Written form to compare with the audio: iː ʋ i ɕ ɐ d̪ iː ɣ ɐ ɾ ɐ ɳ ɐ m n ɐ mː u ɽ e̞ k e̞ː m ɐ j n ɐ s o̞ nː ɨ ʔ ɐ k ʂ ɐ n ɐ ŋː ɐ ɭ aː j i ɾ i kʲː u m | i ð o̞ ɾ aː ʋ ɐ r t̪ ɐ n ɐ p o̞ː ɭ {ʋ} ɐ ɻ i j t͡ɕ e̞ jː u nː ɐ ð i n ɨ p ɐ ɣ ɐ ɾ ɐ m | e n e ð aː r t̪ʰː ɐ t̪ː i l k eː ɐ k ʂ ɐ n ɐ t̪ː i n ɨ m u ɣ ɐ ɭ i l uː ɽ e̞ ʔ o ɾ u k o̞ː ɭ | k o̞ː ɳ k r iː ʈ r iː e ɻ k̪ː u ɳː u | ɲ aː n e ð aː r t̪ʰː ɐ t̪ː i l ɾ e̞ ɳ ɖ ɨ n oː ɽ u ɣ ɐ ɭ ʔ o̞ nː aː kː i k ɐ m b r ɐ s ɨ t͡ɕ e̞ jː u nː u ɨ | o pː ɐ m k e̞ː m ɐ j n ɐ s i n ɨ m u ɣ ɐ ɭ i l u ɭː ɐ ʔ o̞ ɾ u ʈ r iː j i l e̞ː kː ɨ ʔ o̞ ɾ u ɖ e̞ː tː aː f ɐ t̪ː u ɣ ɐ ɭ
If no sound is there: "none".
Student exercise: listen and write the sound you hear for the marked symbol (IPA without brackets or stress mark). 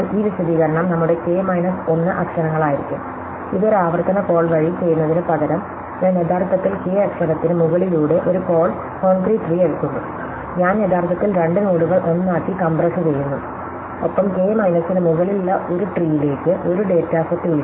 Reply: ʋ